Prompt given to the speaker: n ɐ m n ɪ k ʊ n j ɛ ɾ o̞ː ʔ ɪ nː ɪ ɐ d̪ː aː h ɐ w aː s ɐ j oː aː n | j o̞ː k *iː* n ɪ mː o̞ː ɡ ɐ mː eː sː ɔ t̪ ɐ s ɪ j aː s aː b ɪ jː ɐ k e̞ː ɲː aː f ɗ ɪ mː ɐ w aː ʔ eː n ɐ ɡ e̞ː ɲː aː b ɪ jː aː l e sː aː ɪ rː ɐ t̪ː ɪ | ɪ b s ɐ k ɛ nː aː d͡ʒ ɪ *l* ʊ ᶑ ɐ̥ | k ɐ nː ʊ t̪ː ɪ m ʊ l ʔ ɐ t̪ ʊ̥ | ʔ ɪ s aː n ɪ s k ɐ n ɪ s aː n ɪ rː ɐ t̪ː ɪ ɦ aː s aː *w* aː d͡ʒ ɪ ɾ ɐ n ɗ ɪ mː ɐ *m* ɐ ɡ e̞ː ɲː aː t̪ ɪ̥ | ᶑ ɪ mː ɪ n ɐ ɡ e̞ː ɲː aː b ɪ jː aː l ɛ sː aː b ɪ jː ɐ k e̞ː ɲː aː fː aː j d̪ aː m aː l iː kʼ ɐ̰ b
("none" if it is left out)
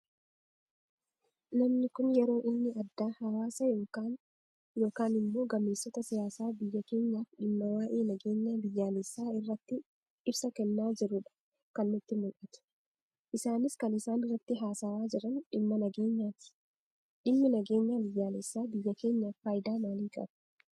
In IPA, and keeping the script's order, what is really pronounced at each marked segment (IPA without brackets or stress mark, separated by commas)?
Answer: aː, ɾ, w, n